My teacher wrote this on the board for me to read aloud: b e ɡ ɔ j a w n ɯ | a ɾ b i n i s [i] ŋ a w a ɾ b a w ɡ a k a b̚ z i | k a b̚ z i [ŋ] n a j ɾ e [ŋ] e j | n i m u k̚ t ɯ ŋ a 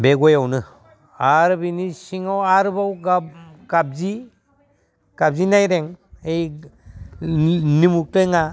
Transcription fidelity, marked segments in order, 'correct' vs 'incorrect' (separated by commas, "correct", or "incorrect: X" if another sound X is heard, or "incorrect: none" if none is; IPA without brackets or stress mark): correct, incorrect: none, correct